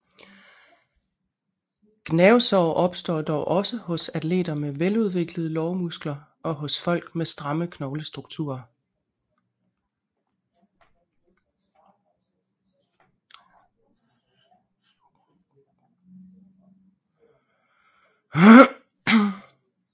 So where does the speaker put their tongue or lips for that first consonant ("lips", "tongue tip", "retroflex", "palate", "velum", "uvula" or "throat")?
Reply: velum